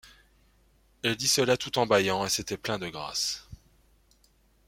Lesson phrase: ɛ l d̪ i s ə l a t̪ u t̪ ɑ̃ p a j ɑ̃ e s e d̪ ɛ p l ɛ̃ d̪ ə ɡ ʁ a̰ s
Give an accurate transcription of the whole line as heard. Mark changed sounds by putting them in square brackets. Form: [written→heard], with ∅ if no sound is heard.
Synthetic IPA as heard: ɛ l d̪ i s ə l a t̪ u t̪ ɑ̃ [p→b] a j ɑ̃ e s e [d̪→t̪] ɛ p l ɛ̃ d̪ ə ɡ ʁ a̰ s